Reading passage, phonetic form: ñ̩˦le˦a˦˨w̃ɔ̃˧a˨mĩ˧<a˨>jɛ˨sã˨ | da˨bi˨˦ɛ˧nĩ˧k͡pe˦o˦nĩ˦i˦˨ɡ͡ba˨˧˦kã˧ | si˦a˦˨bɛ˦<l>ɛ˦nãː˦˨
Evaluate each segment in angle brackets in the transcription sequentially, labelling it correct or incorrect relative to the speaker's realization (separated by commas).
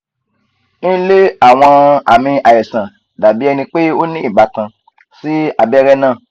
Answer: correct, incorrect